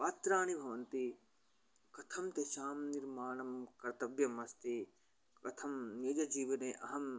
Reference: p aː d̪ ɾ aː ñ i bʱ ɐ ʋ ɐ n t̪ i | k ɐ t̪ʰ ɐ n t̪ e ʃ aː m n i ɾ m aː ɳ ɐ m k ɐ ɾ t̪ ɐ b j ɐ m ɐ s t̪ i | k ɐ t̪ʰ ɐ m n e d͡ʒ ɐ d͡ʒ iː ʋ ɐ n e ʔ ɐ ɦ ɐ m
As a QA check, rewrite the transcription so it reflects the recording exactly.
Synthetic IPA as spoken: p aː t̪ ɾ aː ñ i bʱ ɐ ʋ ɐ n t̪ i | k ɐ t̪ʰ ɐ m t̪ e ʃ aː m n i ɾ m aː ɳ ɐ m k ɐ ɾ t̪ ɐ b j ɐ m ɐ s t̪ i | k ɐ t̪ʰ ɐ m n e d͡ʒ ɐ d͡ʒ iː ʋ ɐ n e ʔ ɐ ɦ ɐ m